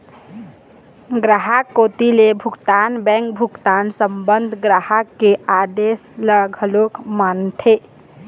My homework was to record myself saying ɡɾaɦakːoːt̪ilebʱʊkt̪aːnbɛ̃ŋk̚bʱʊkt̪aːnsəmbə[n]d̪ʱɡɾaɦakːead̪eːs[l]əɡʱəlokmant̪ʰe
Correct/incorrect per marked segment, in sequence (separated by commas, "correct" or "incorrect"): correct, correct